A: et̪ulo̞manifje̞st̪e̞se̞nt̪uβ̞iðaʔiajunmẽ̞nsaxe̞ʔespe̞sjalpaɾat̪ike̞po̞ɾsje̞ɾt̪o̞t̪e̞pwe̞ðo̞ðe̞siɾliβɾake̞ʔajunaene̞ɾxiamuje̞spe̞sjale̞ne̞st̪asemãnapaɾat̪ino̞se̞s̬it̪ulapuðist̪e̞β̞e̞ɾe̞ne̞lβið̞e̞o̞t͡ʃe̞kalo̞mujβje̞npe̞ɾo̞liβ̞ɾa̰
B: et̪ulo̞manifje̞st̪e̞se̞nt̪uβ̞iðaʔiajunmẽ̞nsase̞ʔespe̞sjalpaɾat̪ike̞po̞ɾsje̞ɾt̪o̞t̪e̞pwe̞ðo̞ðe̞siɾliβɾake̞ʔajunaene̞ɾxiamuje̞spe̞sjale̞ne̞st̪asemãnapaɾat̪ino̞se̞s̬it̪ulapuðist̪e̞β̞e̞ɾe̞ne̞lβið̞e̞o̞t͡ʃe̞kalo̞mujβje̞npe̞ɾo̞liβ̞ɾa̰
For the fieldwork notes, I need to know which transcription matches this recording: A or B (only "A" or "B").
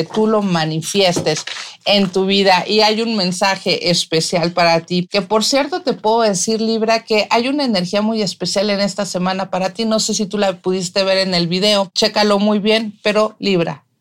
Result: A